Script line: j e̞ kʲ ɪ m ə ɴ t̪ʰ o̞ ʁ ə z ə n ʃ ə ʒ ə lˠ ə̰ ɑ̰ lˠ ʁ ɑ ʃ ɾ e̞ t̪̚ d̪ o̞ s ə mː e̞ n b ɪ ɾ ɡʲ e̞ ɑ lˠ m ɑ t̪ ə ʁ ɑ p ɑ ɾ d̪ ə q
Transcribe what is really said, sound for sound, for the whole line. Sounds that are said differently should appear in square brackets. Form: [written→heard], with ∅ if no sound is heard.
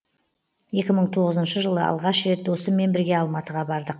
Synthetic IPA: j e̞ kʲ ɪ m ə ɴ t̪ʰ o̞ ʁ ə z ə n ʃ ə ʒ ə lˠ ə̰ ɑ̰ lˠ ʁ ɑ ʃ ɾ e̞ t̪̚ d̪ o̞ s ə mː e̞ n b ɪ ɾ ɡʲ e̞ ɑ lˠ m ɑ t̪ ə ʁ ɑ [p→b] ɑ ɾ d̪ ə q